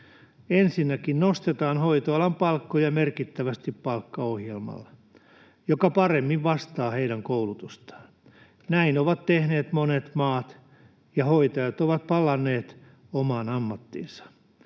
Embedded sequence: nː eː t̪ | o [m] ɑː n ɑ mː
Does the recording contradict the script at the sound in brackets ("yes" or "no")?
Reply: no